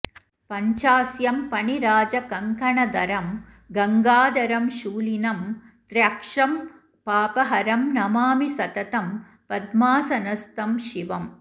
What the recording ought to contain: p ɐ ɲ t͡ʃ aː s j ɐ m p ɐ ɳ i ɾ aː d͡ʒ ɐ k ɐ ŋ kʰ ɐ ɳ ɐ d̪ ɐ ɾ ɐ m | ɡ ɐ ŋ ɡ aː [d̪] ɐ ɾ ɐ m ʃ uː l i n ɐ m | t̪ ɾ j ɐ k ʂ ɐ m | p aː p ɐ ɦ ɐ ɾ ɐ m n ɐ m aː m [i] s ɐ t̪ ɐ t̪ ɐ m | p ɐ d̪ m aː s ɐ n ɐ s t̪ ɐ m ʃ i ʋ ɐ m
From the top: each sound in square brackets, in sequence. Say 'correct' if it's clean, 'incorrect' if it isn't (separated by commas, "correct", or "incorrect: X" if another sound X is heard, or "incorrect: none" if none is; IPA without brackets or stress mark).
correct, correct